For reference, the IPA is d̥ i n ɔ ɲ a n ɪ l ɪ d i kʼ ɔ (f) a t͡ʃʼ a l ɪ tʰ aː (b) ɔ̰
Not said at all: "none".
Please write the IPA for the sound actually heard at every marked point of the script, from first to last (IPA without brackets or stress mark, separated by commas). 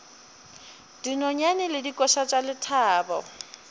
ʃ, b